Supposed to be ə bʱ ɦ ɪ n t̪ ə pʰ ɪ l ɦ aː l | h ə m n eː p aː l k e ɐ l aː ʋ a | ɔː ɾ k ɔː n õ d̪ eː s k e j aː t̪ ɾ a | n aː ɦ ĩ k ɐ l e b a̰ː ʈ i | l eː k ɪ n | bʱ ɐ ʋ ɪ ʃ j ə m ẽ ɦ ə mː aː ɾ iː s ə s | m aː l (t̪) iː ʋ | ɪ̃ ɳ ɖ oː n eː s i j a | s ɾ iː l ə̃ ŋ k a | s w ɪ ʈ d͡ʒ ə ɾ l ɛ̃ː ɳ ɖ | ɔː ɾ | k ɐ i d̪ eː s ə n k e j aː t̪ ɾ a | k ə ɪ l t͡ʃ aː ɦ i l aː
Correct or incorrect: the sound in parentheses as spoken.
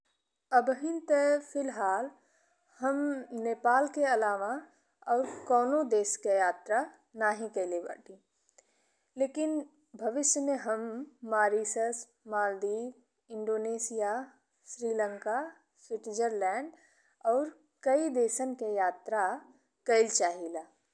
incorrect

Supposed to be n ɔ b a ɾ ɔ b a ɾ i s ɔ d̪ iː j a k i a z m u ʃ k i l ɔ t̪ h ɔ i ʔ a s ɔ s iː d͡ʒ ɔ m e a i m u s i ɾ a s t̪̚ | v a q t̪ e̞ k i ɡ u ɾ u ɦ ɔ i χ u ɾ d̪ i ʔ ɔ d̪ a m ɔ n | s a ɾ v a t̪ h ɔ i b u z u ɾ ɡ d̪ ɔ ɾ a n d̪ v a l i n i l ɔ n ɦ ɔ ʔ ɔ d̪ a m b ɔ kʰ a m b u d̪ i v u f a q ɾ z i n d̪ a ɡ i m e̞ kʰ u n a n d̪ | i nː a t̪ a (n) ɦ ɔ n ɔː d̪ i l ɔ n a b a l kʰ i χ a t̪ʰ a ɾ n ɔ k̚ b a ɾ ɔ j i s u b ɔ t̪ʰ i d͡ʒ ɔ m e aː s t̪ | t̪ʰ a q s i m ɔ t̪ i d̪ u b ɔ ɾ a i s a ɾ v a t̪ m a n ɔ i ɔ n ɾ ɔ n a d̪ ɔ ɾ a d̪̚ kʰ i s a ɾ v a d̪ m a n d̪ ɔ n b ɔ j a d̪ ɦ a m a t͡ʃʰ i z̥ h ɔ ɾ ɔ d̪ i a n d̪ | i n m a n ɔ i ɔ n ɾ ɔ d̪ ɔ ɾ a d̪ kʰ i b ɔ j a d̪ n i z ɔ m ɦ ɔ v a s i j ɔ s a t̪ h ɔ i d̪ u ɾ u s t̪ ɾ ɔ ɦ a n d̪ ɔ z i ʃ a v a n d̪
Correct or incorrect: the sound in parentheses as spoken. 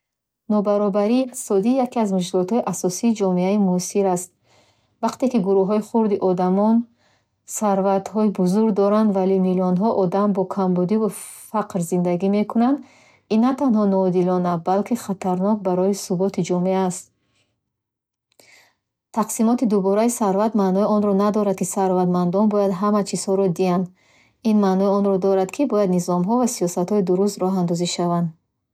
correct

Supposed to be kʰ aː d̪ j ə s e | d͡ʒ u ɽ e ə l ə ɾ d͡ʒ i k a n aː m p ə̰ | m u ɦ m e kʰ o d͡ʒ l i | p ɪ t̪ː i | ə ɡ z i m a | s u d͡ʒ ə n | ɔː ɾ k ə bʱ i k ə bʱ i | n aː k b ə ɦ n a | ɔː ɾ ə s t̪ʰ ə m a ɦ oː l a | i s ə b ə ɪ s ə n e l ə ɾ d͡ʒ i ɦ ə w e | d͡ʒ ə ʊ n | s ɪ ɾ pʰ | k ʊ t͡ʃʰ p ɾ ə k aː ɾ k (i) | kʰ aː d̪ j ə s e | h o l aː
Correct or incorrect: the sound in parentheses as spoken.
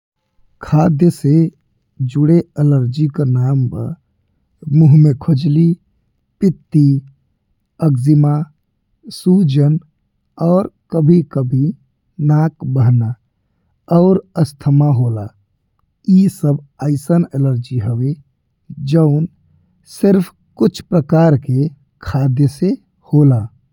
incorrect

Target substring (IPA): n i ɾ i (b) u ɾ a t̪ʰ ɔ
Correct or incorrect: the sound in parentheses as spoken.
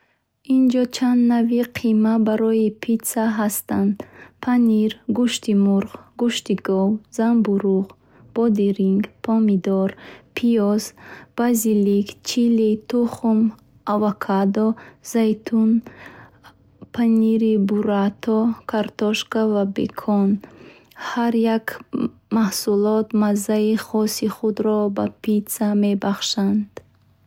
correct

